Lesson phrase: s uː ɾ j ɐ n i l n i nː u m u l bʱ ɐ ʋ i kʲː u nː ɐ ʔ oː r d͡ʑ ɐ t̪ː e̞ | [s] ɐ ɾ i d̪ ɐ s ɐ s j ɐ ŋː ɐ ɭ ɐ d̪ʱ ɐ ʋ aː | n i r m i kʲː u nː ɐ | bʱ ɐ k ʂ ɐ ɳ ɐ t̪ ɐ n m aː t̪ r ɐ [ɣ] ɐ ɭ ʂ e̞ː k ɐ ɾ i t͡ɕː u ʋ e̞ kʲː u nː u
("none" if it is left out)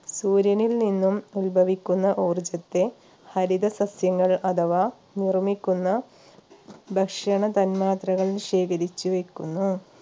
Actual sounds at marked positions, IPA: h, ɣ

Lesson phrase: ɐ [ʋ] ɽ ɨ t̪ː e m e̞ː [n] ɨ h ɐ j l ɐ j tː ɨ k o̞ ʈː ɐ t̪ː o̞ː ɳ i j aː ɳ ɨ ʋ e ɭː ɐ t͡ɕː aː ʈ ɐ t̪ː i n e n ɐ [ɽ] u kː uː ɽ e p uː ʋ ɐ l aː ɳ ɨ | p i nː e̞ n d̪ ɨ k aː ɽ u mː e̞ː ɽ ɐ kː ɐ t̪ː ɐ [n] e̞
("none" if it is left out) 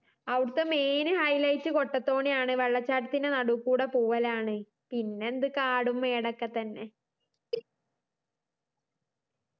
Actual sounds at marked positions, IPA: ʋ, n, ɽ, nː

